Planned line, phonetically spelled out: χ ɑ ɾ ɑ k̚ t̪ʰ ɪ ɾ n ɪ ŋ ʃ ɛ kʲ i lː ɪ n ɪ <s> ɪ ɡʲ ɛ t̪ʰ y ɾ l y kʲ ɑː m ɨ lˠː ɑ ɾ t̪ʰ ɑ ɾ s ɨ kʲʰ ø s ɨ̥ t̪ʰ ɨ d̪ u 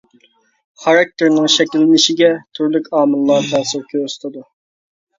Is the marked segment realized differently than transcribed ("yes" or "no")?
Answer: yes